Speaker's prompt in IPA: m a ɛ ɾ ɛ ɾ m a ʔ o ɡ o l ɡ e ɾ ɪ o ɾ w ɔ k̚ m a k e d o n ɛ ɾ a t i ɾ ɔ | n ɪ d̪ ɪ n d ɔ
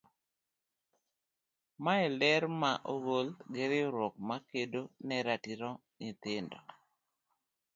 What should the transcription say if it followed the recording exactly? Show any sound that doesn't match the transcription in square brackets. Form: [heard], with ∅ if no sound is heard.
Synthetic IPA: m a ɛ [l] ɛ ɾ m a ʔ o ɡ o l ɡ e ɾ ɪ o ɾ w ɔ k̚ m a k e d o n ɛ ɾ a t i ɾ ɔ | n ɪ [t̪] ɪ n d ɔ

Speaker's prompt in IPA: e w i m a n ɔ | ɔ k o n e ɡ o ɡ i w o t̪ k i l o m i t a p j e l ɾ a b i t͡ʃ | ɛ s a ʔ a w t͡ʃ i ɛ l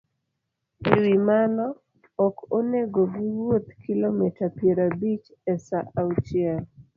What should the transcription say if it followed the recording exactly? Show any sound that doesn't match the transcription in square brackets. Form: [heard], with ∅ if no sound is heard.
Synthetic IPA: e w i m a n ɔ | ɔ k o n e ɡ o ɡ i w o t̪ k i l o m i t a p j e [∅] ɾ a b i t͡ʃ | ɛ s a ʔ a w t͡ʃ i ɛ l

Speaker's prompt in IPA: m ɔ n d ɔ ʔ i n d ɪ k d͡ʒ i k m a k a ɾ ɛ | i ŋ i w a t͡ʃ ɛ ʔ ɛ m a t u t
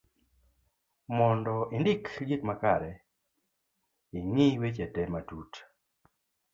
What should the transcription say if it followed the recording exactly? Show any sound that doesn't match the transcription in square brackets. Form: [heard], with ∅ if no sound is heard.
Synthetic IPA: m ɔ n d ɔ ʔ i n d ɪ k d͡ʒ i k m a k a ɾ ɛ | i ŋ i w [e] t͡ʃ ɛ [t] ɛ m a t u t

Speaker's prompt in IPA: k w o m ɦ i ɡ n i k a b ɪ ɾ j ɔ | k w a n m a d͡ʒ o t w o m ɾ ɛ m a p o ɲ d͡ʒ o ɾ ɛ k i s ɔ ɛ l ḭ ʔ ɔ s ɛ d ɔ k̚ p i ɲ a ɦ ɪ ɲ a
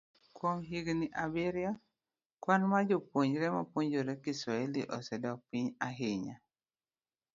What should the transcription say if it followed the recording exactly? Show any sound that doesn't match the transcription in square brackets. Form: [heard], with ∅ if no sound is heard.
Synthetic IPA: k w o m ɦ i ɡ n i [ʔ] a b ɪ ɾ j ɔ | k w a n m a d͡ʒ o [p] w o [ɲ] ɾ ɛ m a p o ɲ d͡ʒ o ɾ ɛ k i s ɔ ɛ l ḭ ʔ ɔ s ɛ d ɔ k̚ p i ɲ a ɦ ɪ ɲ a

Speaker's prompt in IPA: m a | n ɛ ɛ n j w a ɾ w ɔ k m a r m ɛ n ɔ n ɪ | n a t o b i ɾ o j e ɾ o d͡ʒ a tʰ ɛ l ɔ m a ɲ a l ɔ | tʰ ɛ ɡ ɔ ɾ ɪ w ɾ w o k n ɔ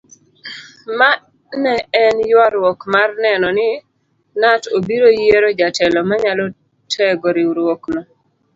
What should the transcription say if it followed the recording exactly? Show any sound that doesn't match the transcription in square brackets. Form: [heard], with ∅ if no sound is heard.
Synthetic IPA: m a | n ɛ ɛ n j w a ɾ w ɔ k m a r [n] ɛ n ɔ n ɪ | n a t o b i ɾ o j e ɾ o d͡ʒ a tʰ ɛ l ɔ m a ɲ a l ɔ | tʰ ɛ ɡ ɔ ɾ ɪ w ɾ w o k n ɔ

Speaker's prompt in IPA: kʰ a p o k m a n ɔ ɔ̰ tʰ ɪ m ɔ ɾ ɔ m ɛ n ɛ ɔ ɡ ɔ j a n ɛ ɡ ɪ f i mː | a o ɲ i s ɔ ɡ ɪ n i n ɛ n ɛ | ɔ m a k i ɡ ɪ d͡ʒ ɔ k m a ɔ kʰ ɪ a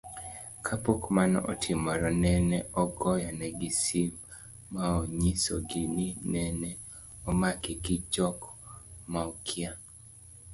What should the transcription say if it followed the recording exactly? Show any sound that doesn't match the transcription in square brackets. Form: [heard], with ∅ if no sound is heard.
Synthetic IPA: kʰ a p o k m a n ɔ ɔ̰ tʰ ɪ m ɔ ɾ ɔ [n] ɛ n ɛ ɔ ɡ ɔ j a n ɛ ɡ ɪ [s] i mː | a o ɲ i s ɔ ɡ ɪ n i n ɛ n ɛ | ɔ m a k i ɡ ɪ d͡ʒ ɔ k m a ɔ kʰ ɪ a

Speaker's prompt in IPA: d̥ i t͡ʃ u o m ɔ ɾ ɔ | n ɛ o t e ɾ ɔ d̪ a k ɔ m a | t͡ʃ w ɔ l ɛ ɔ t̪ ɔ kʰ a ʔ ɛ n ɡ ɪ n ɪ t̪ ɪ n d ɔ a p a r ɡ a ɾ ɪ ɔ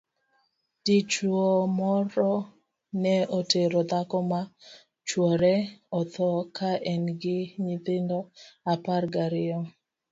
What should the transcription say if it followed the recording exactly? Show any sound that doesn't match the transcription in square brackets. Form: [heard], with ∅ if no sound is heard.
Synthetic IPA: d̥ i t͡ʃ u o m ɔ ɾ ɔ | n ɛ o t e ɾ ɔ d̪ a k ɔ m a | t͡ʃ w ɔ [ɾ] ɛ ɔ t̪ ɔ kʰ a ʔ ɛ n ɡ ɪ [ɲ] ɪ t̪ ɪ n d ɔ a p a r ɡ a ɾ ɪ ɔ

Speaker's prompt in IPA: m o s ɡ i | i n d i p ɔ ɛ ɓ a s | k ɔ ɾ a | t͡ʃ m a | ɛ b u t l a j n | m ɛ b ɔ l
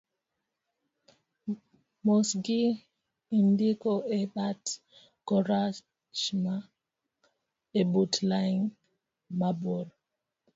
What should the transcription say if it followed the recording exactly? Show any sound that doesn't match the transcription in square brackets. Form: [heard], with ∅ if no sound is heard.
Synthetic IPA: m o s ɡ i | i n d i [k] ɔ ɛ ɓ a [t] | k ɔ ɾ a | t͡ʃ m a | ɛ b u t l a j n | m [a] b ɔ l

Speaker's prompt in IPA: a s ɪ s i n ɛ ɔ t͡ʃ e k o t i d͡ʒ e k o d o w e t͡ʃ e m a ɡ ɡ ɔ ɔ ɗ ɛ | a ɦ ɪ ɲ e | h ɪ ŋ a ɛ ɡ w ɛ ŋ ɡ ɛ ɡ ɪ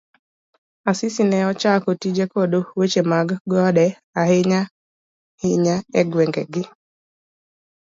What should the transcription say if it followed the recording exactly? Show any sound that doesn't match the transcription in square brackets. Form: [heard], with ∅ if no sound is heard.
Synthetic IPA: a s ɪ s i n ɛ ɔ t͡ʃ [a] k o t i d͡ʒ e k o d o w e t͡ʃ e m a ɡ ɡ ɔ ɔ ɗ ɛ | a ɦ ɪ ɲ [a] | h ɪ [ɲ] a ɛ ɡ w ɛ ŋ ɡ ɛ ɡ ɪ

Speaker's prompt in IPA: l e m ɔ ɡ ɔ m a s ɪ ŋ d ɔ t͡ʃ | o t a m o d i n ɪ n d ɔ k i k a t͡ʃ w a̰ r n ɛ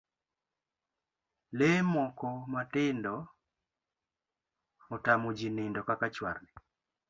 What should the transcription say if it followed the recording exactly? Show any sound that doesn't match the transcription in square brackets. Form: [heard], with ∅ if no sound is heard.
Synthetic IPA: l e m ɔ [k] ɔ m a [t] ɪ [n] d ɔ [∅] | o t a m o [d͡ʒ] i n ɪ n d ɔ k [a] k a t͡ʃ w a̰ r n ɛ

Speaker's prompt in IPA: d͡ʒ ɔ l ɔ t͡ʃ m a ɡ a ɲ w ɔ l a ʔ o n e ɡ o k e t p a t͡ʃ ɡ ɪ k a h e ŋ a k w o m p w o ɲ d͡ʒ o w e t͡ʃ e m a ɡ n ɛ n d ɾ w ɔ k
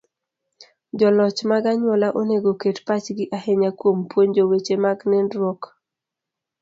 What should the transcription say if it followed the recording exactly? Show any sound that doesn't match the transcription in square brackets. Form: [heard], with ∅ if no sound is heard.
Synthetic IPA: d͡ʒ ɔ l ɔ t͡ʃ m a ɡ a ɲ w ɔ l a ʔ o n e ɡ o k e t p a t͡ʃ ɡ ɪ [ʔ] a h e [ɲ] a k w o m p w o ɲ d͡ʒ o w e t͡ʃ e m a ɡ n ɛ n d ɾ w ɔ k

